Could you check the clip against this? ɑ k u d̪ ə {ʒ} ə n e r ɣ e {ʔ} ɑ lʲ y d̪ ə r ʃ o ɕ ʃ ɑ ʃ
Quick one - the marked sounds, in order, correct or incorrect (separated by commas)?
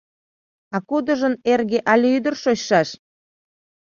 correct, correct